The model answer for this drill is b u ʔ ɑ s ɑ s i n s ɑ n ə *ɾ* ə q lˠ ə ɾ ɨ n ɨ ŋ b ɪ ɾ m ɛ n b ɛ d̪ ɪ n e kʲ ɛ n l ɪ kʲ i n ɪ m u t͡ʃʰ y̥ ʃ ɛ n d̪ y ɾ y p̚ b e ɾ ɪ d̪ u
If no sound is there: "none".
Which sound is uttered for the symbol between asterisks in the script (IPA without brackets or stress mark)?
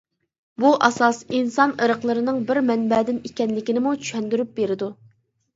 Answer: ɾ